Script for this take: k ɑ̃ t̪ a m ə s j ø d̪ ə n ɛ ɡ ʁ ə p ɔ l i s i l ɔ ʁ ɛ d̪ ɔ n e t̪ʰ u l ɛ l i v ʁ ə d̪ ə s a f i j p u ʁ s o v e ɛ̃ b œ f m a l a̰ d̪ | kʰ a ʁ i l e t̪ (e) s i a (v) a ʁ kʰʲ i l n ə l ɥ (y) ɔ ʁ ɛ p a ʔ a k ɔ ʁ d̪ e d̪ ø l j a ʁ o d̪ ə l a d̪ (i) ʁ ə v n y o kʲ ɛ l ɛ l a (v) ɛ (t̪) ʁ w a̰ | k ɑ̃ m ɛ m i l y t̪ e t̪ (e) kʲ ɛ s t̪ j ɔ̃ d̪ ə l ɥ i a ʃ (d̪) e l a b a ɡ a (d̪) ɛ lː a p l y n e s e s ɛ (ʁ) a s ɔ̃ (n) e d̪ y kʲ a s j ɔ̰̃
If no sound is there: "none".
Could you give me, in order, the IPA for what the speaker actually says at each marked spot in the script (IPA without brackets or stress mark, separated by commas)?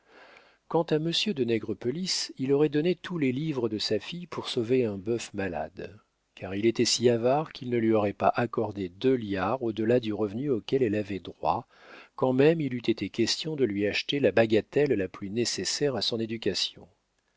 ɛ, v, i, y, v, d̪, e, t̪, t̪, ʁ, n